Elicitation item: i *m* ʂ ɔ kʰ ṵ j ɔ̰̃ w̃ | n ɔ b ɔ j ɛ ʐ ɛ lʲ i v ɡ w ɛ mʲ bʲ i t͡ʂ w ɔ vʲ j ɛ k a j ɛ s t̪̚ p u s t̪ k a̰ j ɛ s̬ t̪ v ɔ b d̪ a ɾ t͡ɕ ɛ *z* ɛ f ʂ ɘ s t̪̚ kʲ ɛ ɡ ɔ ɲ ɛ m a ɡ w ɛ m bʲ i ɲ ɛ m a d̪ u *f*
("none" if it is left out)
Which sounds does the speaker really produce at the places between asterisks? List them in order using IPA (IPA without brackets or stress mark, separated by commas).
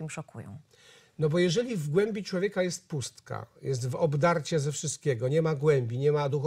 m, z, x